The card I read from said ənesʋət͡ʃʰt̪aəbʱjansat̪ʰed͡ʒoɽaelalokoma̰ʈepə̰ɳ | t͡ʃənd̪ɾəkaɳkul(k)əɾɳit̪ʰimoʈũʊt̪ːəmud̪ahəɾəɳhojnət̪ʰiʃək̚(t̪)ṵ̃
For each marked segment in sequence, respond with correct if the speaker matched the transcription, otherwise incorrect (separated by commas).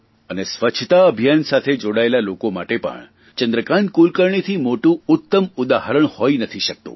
correct, correct